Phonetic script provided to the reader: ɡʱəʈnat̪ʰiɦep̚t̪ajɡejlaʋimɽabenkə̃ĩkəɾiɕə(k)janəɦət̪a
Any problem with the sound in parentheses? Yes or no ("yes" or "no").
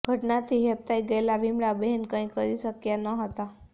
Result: no